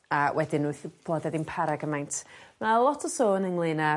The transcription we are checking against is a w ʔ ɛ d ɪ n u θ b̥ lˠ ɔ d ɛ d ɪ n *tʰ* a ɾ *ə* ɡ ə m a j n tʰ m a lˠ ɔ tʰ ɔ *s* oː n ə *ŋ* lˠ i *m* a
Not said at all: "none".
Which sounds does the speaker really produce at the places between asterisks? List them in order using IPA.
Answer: pʰ, a, s, ŋ, n

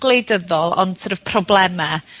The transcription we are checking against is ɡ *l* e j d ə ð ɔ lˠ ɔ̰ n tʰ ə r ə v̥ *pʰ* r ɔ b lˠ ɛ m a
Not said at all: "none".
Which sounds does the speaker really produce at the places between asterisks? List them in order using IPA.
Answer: l, pʰ

